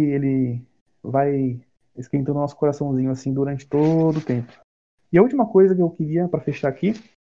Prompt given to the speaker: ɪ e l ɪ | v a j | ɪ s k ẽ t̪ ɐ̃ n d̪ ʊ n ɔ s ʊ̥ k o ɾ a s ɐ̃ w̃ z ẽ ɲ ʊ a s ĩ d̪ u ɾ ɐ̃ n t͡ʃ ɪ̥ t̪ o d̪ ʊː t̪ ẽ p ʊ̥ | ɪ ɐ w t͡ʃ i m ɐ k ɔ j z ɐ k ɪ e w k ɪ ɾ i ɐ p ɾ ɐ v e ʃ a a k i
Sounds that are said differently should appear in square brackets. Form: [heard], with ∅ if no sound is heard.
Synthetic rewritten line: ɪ e l ɪ | v a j | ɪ s k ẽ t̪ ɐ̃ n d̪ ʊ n ɔ s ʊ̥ k o ɾ a s ɐ̃ w̃ z [ĩ] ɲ ʊ a s ĩ d̪ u ɾ ɐ̃ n t͡ʃ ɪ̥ t̪ o d̪ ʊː t̪ ẽ p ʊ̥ | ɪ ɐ [u] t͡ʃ i m ɐ k [o] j z ɐ k ɪ e w k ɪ ɾ i ɐ p ɾ ɐ [f] e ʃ a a k i